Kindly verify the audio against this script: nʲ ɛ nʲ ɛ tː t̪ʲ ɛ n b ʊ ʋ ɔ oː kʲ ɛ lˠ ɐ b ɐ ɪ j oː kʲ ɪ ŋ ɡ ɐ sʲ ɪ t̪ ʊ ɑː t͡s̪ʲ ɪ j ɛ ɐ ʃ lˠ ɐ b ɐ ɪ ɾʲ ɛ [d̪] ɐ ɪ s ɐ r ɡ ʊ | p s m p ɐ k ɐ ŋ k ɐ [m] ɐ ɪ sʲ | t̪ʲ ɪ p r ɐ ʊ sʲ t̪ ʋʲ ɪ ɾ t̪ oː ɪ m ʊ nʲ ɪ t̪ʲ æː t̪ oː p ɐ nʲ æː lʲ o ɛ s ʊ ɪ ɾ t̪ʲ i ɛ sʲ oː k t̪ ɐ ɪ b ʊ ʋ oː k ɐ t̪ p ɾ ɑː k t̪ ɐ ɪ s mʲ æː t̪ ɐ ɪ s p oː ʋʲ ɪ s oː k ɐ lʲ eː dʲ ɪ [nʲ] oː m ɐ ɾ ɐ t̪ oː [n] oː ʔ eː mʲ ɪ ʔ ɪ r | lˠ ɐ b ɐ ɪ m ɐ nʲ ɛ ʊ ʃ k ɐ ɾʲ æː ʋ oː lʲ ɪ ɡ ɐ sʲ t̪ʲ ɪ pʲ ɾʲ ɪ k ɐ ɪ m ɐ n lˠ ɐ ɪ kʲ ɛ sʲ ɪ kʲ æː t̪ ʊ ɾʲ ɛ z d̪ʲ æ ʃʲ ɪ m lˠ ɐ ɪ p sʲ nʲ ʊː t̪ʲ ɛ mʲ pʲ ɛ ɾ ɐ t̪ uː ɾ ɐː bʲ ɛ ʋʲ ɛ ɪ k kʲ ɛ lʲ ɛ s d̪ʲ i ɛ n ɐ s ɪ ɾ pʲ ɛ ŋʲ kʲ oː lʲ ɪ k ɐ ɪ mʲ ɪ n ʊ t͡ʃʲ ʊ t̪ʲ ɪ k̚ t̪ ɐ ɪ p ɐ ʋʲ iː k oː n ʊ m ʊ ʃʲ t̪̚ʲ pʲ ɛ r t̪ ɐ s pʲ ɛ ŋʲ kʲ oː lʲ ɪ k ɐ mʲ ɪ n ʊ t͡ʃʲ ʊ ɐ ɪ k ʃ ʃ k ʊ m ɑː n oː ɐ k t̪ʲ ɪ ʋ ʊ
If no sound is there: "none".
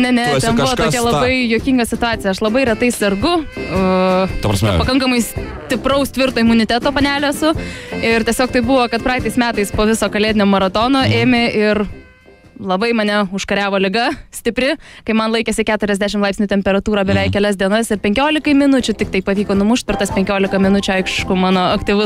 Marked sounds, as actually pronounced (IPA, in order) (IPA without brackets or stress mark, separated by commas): t̪, m, nʲ, n